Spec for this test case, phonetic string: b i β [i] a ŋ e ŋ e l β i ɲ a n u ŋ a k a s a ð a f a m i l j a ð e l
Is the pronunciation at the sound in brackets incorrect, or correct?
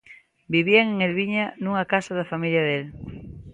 correct